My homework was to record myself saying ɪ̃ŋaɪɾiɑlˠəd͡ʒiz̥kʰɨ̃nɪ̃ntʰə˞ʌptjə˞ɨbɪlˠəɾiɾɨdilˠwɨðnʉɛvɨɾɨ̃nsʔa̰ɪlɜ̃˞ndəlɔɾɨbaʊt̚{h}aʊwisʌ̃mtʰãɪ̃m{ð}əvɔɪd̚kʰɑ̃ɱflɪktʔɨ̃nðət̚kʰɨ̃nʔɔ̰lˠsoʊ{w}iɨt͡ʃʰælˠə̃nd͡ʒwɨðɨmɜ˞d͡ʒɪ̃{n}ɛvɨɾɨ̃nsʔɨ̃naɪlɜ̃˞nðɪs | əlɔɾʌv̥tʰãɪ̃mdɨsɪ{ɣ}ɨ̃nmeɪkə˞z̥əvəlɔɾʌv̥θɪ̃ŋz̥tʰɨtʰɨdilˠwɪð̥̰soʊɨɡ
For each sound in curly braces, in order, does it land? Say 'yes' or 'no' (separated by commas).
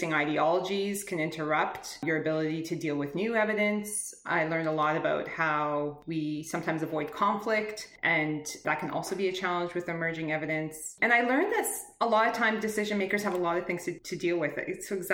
yes, no, no, no, no